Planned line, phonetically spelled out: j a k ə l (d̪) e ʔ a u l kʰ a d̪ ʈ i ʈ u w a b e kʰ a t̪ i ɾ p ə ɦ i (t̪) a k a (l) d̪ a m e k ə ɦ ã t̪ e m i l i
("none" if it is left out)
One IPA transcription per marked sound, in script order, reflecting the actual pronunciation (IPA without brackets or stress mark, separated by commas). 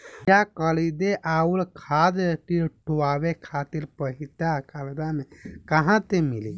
d̪, t̪, l